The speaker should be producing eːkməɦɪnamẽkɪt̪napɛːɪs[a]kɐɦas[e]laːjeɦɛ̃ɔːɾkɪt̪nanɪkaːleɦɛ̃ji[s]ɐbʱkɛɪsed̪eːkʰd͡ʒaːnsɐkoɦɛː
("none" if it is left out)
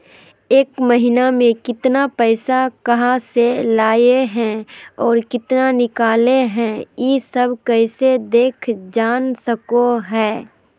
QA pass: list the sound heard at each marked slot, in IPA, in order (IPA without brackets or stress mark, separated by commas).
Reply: a, e, s